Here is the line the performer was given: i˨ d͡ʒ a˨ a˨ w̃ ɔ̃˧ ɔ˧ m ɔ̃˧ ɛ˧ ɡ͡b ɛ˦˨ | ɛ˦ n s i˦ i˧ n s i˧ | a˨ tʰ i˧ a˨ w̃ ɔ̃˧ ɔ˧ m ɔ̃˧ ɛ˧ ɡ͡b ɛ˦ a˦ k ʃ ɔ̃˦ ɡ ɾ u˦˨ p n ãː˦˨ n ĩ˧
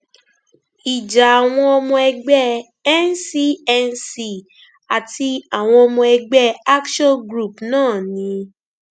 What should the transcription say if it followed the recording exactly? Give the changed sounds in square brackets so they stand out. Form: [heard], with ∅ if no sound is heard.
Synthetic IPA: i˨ d͡ʒ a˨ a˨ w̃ ɔ̃˧ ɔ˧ m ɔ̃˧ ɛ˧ ɡ͡b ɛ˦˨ | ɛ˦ n s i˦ [ɛ˧] n s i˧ | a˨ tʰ i˧ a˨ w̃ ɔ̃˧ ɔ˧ m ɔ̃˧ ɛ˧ ɡ͡b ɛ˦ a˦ k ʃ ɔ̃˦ ɡ ɾ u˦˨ p n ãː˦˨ n ĩ˧